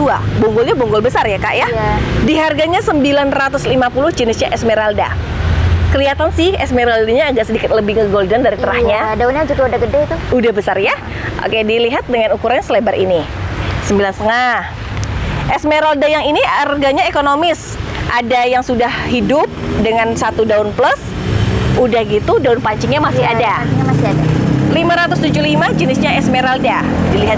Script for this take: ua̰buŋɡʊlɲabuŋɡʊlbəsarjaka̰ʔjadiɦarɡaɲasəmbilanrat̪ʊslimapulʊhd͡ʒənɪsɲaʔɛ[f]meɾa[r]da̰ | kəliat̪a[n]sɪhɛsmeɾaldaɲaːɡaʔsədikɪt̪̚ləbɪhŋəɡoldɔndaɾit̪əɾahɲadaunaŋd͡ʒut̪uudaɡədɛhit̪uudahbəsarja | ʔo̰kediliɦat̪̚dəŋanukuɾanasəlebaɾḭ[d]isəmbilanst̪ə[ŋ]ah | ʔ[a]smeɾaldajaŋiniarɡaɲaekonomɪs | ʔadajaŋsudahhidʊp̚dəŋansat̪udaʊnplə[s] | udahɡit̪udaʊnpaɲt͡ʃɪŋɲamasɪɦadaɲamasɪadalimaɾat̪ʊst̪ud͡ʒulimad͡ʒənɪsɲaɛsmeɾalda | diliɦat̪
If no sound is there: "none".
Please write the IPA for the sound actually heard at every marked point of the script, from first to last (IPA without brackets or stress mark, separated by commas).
s, l, n, n, ŋ, ɛ, s